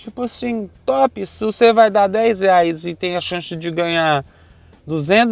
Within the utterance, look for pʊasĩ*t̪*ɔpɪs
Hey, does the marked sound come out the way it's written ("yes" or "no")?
yes